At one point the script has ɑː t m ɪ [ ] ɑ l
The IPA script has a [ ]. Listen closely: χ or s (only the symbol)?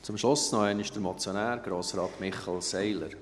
χ